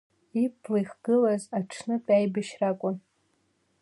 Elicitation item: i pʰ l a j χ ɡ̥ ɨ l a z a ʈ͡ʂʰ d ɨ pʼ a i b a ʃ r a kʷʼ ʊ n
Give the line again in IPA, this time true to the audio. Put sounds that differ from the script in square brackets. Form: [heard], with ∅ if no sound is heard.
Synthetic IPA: i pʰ l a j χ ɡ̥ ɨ l a z a ʈ͡ʂʰ [n] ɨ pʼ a [j] b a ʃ r a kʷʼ ʊ n

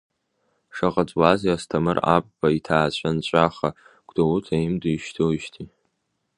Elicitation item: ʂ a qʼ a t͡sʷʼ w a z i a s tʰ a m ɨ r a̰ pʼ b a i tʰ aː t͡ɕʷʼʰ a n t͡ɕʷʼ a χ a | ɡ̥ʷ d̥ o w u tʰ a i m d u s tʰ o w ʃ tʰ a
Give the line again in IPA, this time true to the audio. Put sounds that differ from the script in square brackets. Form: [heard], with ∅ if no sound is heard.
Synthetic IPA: ʂ a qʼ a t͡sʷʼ w a z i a s tʰ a m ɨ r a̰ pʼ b a i tʰ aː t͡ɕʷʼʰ a n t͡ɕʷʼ a χ a | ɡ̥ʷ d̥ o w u tʰ a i m d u [ʃ] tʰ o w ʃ tʰ [i]

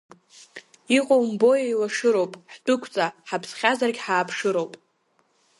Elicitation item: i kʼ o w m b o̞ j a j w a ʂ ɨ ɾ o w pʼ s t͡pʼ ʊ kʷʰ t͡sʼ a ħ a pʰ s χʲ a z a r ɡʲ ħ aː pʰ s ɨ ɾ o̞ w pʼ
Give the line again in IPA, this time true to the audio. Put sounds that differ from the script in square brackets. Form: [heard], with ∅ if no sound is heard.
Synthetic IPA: i [qʼ] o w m b o̞ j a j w a ʂ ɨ ɾ o w pʼ [ħ] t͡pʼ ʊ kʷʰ t͡sʼ a ħ a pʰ s χʲ a z a r ɡʲ ħ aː pʰ [ʂ] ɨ ɾ o̞ w pʼ

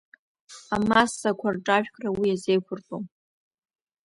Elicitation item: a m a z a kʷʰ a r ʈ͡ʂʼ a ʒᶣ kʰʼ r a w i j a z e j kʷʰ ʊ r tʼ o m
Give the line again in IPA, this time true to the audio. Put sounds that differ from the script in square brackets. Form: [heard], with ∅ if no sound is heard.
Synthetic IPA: a m a [s] a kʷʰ a r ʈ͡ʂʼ a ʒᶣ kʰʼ r a w i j a z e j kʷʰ ʊ r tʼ o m

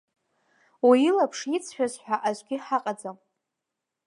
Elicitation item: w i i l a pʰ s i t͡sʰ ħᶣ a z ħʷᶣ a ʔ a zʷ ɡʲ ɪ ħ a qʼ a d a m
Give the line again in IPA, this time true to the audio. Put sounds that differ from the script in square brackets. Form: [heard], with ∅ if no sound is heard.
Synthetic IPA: w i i l a pʰ [ʂ] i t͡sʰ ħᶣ a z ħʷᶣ a ʔ a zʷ ɡʲ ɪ ħ a qʼ a [d͡z] a m

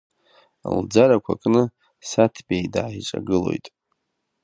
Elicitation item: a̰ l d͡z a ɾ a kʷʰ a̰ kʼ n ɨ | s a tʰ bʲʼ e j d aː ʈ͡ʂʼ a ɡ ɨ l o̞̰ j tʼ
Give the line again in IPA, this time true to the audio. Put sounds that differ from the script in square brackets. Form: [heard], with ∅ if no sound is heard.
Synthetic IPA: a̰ l d͡z a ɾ a kʷʰ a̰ kʼ n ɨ | s a tʰ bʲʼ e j d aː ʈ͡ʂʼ a ɡ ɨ l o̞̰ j tʼ

